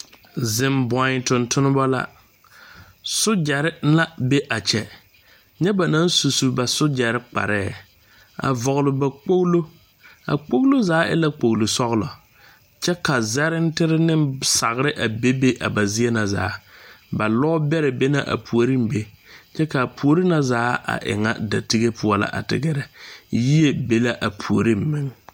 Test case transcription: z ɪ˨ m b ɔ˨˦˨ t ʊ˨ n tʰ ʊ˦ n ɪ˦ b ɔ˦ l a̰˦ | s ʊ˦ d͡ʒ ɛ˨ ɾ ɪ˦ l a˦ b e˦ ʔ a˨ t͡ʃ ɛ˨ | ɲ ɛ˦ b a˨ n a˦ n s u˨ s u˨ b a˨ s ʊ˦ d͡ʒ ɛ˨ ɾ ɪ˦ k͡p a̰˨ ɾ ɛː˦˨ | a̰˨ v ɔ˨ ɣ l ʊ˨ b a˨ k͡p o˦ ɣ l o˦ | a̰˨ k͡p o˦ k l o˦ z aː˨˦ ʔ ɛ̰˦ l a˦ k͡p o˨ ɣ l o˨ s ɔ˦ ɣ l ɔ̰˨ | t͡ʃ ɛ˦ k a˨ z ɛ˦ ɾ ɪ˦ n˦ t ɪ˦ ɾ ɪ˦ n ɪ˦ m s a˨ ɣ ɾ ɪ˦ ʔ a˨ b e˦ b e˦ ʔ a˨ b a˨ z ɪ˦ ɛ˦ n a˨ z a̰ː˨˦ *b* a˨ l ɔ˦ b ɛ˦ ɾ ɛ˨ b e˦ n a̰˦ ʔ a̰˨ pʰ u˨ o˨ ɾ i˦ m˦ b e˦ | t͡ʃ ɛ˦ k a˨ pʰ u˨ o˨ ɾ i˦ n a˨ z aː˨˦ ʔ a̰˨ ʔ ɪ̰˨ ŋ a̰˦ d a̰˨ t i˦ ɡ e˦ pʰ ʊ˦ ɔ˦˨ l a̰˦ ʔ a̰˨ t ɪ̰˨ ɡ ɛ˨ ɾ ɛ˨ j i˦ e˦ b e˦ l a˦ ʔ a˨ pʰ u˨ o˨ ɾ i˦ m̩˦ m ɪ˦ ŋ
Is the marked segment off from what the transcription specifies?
no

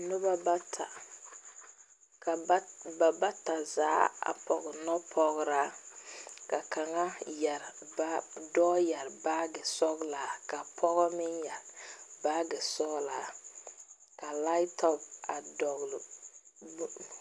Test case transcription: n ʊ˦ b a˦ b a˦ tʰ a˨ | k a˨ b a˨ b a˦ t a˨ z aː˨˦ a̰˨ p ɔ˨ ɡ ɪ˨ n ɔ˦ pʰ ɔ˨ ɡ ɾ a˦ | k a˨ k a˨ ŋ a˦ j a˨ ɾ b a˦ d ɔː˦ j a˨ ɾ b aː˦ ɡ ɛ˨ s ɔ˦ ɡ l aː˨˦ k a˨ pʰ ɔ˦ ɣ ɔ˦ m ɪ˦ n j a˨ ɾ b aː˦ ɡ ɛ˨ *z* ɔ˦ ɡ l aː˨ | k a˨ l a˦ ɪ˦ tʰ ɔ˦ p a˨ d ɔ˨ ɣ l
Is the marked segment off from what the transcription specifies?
yes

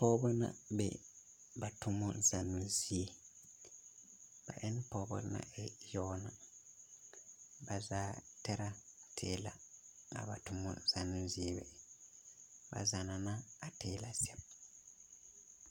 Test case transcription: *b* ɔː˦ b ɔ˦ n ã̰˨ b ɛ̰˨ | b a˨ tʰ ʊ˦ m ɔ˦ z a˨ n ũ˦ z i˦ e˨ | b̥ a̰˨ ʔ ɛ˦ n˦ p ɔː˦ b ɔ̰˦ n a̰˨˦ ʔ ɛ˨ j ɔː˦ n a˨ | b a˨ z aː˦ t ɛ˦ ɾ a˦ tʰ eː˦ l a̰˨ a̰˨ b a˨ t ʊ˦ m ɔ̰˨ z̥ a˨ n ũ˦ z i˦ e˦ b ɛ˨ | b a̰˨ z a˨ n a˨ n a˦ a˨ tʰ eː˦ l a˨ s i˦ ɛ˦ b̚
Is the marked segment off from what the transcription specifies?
yes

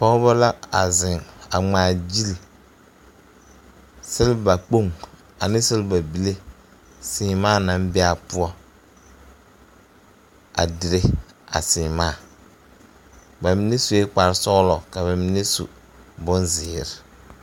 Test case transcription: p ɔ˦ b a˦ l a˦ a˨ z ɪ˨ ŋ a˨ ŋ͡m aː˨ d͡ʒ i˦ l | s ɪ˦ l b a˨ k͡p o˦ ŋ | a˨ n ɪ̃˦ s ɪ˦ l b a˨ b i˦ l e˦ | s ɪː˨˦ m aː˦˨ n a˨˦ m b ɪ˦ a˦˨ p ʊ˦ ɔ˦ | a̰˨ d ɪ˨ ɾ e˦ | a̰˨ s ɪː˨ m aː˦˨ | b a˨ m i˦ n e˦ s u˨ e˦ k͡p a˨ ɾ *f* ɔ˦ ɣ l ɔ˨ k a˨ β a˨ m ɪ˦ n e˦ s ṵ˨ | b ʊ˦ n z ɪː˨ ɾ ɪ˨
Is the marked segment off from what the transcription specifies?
yes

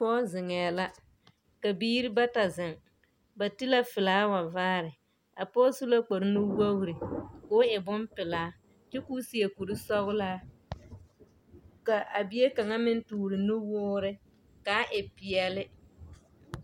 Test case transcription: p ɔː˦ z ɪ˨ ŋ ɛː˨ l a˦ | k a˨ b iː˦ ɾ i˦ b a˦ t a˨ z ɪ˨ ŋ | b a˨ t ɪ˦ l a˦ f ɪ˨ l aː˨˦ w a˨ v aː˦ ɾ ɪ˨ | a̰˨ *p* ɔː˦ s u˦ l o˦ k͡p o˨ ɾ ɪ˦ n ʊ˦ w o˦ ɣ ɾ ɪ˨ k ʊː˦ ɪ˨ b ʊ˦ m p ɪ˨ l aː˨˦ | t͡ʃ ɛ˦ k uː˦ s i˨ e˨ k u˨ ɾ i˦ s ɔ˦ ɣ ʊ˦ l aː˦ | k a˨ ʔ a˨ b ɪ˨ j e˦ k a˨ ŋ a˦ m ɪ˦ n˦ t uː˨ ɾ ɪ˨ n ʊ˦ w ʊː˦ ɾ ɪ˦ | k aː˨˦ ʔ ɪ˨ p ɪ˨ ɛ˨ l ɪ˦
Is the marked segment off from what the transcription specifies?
no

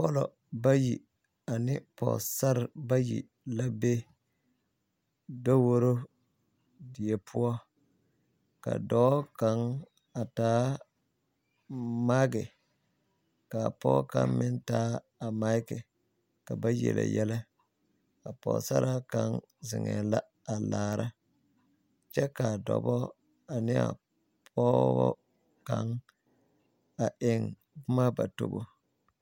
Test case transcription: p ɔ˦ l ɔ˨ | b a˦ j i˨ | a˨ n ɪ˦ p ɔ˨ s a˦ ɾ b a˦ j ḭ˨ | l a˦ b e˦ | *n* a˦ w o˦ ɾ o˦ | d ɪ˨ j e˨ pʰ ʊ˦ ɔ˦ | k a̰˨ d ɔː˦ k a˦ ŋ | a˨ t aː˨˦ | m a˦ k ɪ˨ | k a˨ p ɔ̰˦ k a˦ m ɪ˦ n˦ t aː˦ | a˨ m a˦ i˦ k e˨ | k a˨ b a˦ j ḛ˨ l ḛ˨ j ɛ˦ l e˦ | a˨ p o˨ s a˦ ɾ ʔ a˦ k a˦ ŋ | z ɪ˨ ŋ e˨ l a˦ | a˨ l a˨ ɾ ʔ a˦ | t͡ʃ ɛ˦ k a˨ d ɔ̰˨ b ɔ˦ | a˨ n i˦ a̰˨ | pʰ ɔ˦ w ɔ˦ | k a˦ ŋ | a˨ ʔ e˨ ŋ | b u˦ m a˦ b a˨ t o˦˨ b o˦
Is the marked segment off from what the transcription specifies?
yes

